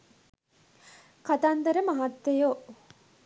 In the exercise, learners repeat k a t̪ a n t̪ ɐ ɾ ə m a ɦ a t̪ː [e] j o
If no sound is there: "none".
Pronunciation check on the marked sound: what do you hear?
e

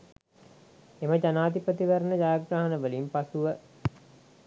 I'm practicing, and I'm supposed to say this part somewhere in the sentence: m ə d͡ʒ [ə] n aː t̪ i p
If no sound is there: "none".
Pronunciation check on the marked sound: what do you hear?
a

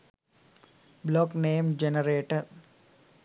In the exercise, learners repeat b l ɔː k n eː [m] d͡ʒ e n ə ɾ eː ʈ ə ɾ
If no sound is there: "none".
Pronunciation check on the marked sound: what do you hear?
m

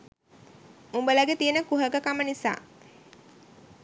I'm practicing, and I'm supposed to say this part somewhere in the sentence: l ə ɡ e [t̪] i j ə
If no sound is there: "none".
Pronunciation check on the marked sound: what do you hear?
t̪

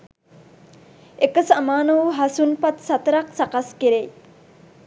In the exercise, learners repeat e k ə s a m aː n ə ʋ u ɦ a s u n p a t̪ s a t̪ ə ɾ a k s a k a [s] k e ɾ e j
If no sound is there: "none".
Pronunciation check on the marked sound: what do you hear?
s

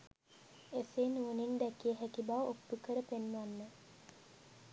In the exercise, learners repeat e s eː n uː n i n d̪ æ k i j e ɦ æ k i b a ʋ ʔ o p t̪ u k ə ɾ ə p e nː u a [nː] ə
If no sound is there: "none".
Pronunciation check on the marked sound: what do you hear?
nː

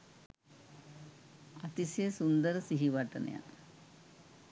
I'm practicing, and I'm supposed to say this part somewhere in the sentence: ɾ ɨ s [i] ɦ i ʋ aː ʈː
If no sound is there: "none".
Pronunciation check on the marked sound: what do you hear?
i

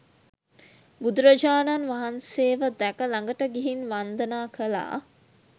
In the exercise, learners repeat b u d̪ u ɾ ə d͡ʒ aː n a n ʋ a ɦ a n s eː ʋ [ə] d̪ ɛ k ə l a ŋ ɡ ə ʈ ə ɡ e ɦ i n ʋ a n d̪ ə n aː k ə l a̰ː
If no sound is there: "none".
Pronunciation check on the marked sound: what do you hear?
ə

